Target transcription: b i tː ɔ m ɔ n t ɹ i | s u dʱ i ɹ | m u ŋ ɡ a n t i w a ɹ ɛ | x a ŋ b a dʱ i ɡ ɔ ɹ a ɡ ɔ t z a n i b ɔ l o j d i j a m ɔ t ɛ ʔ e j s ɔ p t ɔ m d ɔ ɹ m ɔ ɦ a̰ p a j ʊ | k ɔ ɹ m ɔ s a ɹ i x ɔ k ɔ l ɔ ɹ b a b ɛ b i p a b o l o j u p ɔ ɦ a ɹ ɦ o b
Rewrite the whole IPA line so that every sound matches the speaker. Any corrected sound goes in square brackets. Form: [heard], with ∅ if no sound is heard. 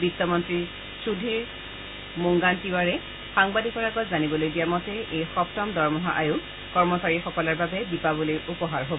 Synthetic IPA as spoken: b i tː ɔ m ɔ n t ɹ i | s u dʱ i ɹ | m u ŋ ɡ a n t i w a ɹ ɛ | x a ŋ b a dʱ i [k] ɔ ɹ a ɡ ɔ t z a n i b ɔ l o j d i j a m ɔ t ɛ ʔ e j [x] ɔ p t ɔ m d ɔ ɹ m ɔ ɦ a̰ [ʔ] a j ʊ | k ɔ ɹ m ɔ s a ɹ i x ɔ k ɔ l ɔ ɹ b a b ɛ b i p a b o l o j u p ɔ ɦ a ɹ ɦ o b